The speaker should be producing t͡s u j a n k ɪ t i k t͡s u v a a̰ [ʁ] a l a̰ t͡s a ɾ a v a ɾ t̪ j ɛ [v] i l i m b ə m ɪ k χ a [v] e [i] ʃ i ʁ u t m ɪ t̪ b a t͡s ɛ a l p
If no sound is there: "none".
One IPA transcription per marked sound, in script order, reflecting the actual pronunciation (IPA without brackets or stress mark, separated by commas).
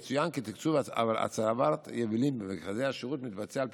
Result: v, v, z, a